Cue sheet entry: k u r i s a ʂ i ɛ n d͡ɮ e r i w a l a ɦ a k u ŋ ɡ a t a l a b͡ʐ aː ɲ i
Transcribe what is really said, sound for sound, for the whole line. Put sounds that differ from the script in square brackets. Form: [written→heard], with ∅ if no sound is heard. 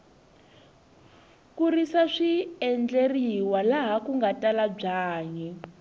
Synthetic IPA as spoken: k u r i s a ʂ i ɛ n d͡ɮ e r i w a l a ɦ a k u ŋ ɡ a t a l a b͡ʐ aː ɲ [i→ɛ]